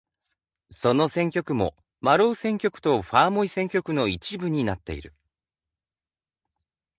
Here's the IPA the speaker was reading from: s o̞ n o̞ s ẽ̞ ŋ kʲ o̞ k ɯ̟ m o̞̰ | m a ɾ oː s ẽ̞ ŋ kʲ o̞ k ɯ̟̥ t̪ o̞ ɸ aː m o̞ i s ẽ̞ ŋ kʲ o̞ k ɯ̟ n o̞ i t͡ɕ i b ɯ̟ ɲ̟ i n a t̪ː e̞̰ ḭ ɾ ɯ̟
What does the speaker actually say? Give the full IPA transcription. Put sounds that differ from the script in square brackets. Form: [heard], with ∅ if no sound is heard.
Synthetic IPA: s o̞ n o̞ s ẽ̞ ŋ kʲ o̞ k ɯ̟ m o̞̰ | m a ɾ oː s ẽ̞ ŋ kʲ o̞ k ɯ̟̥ t̪ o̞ ɸ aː m o̞ i s ẽ̞ ŋ kʲ o̞ k ɯ̟ n o̞ i t͡ɕ i b ɯ̟ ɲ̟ i n a t̪ː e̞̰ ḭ ɾ ɯ̟